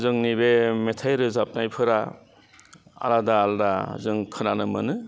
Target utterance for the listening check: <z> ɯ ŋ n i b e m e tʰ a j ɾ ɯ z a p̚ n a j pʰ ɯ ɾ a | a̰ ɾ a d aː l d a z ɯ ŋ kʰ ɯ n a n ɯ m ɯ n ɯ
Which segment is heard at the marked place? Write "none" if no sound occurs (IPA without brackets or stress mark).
z